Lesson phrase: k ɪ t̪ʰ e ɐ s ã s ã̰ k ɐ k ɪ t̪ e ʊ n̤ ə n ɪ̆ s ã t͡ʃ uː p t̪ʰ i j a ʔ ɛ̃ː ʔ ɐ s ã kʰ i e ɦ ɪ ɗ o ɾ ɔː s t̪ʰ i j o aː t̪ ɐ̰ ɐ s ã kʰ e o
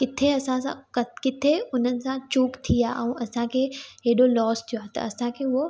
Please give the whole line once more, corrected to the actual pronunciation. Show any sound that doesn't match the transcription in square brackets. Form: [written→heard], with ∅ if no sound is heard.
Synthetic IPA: k ɪ t̪ʰ e ɐ s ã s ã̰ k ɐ k ɪ [t̪→t̪ʰ] e ʊ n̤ ə n ɪ̆ s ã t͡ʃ uː [p→k] t̪ʰ i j a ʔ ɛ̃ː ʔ ɐ s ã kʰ [i→e] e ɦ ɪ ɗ o [ɾ→l] ɔː s t̪ʰ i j o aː t̪ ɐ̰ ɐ s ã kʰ e o